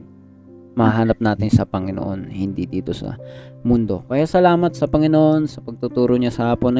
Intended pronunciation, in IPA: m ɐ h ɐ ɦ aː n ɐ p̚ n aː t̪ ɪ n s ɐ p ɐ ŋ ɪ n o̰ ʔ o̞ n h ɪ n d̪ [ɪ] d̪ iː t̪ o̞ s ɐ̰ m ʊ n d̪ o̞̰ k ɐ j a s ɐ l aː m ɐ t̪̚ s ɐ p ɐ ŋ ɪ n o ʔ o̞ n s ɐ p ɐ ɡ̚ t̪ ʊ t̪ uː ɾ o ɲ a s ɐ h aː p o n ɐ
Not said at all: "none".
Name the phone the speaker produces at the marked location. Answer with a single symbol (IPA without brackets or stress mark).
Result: i